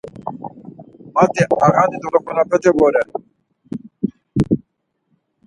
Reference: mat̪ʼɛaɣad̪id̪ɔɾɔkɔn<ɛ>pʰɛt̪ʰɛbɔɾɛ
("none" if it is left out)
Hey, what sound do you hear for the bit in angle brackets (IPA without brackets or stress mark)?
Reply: a